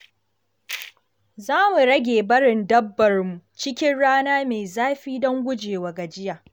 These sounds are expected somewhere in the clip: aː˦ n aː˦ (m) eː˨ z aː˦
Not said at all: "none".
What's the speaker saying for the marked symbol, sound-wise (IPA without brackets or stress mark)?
m